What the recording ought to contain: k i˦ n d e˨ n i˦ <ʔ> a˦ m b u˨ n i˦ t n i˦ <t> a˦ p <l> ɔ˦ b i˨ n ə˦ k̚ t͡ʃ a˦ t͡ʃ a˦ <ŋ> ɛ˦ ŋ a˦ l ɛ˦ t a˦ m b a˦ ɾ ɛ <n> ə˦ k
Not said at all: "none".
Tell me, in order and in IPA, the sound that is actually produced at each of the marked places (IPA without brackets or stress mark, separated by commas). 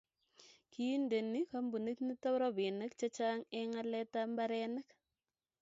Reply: k, t, ɾ, ŋ, n